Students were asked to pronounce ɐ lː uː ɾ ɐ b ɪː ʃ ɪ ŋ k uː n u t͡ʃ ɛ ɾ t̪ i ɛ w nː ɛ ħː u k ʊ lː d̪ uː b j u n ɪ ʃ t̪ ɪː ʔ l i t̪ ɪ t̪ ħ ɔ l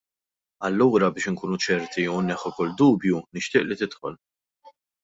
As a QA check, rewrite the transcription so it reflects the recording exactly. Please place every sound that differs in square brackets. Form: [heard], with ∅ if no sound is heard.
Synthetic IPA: ɐ lː uː ɾ ɐ b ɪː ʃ ɪ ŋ k uː n u t͡ʃ ɛ ɾ t̪ i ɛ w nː ɛ ħː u k ʊ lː d̪ uː b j u n ɪ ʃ t̪ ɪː ʔ l i t̪ ɪ t̪ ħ ɔ l